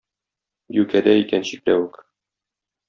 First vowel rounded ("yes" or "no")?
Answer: yes